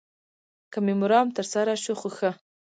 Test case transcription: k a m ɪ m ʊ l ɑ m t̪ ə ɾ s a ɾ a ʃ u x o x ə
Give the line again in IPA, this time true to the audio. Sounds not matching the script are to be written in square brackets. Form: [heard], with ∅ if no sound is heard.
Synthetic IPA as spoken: k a m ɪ m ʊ [ɾ] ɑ m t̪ ə ɾ s a ɾ a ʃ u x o x ə